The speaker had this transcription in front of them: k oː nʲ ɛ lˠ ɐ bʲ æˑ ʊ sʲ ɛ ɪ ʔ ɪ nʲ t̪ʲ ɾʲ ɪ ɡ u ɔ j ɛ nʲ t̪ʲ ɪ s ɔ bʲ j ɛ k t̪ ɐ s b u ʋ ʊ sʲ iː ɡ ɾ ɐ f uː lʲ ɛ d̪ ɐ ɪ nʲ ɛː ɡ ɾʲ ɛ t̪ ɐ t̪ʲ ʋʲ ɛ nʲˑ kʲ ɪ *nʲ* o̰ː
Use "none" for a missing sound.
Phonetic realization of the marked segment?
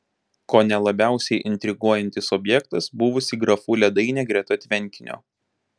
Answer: nʲ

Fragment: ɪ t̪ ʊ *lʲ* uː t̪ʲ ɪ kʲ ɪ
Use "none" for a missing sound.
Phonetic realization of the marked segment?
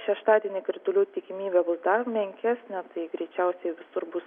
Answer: lʲ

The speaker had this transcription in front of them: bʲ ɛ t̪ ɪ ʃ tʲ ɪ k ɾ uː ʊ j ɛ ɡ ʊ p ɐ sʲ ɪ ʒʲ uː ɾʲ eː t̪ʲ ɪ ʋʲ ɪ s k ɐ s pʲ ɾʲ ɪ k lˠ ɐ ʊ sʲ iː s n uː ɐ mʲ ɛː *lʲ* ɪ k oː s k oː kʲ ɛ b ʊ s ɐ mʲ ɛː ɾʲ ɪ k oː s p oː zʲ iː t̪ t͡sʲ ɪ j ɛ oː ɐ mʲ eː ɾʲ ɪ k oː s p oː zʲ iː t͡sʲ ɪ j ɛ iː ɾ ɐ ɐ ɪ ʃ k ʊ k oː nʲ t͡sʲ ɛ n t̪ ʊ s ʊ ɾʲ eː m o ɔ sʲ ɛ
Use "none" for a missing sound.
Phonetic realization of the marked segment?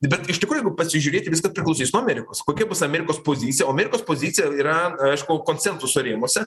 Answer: ɾʲ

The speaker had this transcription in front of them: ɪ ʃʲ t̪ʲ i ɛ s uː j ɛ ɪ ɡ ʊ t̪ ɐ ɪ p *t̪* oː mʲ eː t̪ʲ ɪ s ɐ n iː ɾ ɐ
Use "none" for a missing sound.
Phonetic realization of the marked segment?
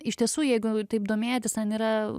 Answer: d̪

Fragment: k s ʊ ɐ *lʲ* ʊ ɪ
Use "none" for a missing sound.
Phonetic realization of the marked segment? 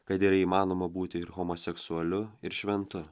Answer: lʲ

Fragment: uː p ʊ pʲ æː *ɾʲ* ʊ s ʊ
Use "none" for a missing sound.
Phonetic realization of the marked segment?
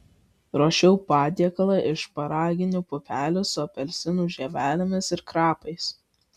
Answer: lʲ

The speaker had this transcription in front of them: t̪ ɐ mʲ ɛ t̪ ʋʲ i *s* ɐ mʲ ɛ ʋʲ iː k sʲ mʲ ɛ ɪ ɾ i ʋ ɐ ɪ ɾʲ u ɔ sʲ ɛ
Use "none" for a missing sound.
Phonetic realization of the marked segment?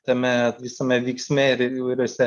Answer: s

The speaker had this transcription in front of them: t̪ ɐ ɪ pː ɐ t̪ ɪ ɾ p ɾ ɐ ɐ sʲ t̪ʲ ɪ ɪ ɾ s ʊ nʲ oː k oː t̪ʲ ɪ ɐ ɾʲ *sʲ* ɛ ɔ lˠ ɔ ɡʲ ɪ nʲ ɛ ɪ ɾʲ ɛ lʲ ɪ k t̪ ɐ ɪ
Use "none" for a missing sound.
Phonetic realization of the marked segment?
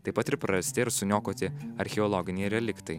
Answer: xʲ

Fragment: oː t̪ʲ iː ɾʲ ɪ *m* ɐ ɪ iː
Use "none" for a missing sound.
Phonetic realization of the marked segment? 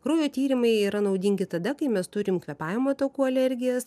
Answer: m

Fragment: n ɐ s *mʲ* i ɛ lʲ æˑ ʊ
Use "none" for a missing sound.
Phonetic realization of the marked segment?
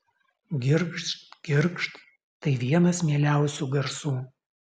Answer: mʲ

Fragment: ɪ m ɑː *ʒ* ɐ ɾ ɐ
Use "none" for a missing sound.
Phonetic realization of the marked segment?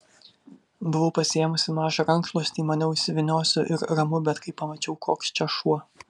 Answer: ʒ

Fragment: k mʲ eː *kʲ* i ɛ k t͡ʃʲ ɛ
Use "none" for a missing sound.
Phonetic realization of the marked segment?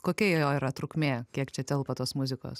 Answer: kʲ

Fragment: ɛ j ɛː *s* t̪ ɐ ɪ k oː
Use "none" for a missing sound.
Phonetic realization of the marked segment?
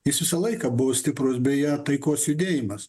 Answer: none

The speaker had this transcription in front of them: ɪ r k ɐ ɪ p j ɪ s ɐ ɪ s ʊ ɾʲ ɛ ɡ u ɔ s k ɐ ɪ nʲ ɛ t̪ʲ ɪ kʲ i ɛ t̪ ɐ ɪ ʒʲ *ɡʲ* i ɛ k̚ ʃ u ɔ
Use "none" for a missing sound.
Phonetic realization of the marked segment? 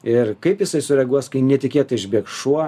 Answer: bʲ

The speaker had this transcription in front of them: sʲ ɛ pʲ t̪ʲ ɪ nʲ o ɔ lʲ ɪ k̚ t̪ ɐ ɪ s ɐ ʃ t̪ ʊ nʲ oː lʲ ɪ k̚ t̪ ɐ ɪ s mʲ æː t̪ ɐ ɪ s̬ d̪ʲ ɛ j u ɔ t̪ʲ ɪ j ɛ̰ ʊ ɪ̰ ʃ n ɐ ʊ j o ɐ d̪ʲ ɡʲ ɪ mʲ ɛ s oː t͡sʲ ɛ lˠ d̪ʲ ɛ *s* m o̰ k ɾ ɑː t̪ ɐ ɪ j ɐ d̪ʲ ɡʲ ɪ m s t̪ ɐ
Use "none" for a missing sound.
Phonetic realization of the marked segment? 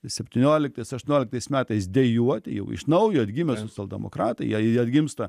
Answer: none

